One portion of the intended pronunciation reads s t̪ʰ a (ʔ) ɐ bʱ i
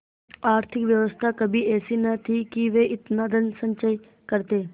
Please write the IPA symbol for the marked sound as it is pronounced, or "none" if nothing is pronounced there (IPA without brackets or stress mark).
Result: k